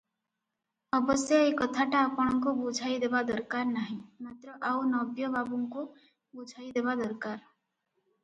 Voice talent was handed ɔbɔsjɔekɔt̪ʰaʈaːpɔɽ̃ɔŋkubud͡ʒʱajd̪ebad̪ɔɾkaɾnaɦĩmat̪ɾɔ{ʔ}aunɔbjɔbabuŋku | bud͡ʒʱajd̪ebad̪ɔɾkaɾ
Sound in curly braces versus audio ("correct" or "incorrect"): correct